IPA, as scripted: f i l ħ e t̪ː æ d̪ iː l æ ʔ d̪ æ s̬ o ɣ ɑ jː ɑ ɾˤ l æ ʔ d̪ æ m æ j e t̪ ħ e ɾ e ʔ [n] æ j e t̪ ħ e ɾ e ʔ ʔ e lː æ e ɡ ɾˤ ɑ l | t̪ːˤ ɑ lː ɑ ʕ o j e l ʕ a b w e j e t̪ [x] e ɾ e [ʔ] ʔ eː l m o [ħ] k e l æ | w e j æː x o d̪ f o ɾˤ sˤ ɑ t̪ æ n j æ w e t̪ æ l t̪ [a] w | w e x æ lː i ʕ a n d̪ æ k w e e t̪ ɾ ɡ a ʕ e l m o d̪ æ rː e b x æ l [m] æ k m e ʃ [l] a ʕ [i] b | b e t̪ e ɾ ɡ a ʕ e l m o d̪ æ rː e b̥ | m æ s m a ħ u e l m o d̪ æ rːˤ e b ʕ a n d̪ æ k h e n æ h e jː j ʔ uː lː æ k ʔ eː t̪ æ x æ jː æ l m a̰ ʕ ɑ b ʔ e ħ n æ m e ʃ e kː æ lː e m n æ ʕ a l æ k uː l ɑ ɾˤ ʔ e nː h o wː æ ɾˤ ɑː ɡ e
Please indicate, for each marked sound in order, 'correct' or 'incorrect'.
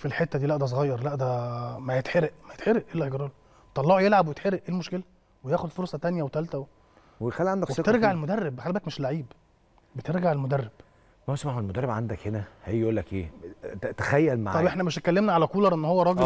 incorrect: m, incorrect: ħ, correct, incorrect: ʃ, incorrect: æ, incorrect: b, correct, incorrect: iː

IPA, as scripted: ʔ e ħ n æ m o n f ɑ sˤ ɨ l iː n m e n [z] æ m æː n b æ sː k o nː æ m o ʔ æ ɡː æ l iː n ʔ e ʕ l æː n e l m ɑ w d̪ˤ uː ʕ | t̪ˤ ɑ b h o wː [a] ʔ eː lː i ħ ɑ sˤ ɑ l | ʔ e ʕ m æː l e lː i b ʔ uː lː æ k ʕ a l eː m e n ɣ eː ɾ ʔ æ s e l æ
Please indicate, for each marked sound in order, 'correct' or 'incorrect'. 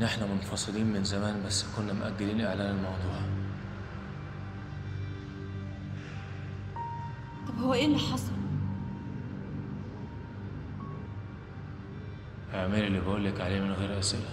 correct, incorrect: æ

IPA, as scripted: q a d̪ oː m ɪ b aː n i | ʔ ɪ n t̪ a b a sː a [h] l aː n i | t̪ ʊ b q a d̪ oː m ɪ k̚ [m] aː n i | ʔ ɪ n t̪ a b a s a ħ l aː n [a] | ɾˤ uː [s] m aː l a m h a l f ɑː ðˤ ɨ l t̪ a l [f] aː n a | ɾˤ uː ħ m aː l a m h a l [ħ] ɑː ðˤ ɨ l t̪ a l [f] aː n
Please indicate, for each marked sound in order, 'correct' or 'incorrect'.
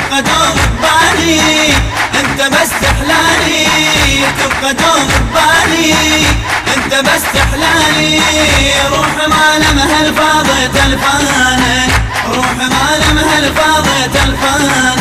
incorrect: ħ, incorrect: b, incorrect: i, incorrect: ħ, correct, incorrect: f, correct

